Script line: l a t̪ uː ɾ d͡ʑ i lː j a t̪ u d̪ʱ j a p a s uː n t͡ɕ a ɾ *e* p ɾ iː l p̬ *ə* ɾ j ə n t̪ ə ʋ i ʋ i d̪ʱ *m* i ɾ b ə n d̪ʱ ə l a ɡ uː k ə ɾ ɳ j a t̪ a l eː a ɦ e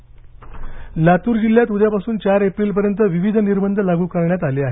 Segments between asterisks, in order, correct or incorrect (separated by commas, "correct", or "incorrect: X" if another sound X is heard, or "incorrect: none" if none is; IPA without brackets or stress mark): correct, correct, incorrect: n